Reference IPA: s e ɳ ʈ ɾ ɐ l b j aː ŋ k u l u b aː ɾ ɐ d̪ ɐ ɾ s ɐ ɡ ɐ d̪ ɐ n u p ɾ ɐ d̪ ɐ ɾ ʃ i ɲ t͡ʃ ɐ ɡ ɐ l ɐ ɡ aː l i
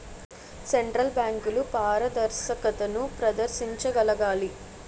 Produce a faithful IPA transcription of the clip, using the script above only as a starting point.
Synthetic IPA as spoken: s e ɳ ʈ ɾ ɐ l b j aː ŋ k u l u p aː ɾ ɐ d̪ ɐ ɾ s ɐ k ɐ t̪ ɐ n u p ɾ ɐ d̪ ɐ ɾ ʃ i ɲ t͡ʃ ɐ ɡ ɐ l ɐ ɡ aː l i